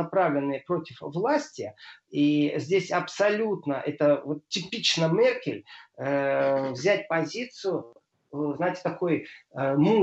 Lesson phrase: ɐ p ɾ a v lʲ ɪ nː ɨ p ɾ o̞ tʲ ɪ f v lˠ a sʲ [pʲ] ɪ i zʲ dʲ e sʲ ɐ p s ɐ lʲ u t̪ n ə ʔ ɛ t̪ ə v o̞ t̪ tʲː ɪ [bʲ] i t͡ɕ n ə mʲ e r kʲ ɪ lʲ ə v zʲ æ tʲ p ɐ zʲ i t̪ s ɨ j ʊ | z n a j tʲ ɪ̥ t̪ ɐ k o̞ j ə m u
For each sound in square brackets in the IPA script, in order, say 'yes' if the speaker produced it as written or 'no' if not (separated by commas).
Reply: no, no